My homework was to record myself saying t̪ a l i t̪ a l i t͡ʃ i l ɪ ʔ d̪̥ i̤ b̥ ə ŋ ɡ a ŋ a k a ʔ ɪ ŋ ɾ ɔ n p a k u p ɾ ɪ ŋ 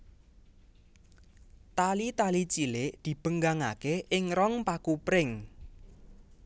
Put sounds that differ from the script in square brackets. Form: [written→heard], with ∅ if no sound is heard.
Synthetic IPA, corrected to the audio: t̪ a l i t̪ a l i t͡ʃ i l ɪ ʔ d̪̥ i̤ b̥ ə ŋ ɡ a ŋ a k [a→e] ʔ ɪ ŋ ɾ ɔ [n→ŋ] p a k u p ɾ ɪ ŋ